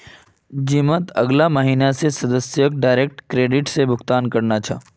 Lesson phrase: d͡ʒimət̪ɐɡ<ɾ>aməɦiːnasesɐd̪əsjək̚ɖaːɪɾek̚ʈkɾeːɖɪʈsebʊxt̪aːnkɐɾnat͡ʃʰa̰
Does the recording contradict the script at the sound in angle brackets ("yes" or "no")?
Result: yes